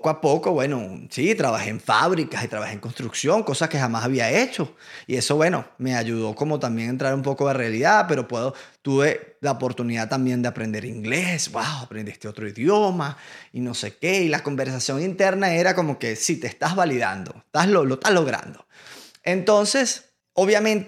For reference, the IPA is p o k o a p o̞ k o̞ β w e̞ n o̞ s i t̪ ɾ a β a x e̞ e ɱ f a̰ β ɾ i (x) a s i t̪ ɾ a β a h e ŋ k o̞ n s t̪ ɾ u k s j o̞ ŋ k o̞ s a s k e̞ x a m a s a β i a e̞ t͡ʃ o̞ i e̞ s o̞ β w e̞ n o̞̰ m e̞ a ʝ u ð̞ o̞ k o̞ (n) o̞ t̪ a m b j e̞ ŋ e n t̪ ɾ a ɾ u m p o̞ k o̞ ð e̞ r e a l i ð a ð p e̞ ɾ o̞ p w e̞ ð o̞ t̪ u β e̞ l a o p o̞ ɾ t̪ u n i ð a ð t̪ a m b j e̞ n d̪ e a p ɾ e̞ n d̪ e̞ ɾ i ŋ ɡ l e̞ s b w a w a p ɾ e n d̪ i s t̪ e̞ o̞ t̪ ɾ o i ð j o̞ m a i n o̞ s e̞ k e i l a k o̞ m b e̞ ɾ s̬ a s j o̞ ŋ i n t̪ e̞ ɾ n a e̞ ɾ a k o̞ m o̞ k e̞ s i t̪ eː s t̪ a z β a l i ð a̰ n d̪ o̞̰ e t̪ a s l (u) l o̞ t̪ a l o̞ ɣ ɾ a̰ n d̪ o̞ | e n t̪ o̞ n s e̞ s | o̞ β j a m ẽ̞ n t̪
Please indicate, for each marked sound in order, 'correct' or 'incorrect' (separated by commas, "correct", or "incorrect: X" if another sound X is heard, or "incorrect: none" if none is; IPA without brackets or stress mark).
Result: incorrect: k, incorrect: m, incorrect: o